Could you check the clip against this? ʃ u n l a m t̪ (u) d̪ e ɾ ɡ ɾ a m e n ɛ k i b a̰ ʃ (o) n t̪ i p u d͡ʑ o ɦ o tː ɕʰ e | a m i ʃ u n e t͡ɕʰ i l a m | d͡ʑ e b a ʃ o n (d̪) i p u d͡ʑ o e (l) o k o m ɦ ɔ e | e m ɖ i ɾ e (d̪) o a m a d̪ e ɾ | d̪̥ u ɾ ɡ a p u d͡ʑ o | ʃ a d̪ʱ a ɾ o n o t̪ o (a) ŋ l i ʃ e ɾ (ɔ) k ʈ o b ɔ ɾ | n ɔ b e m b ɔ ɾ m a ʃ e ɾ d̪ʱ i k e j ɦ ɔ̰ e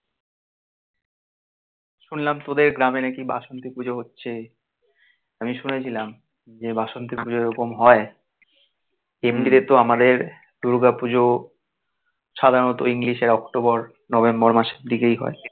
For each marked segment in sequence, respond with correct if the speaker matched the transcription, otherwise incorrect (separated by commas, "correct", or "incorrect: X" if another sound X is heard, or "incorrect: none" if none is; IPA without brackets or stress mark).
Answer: incorrect: o, correct, incorrect: t̪, incorrect: ɾ, incorrect: t̪, incorrect: i, correct